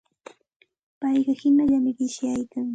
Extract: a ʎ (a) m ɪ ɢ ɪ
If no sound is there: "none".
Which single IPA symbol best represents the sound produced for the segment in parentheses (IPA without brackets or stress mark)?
a